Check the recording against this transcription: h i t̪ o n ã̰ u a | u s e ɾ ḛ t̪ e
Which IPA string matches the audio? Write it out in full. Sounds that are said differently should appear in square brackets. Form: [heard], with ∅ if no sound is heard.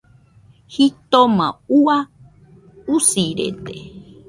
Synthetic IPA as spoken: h i t̪ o [m] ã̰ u a | u s [i] ɾ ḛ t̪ e